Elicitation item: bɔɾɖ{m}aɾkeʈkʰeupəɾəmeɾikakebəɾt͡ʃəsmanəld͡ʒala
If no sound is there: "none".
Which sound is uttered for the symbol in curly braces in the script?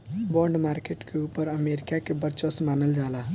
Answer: m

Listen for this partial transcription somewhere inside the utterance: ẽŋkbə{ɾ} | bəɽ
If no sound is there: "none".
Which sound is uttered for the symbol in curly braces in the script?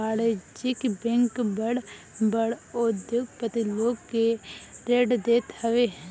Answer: ɽ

